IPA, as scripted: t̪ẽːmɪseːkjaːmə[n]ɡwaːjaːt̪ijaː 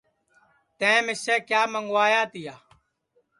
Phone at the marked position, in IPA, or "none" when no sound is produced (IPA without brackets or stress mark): ŋ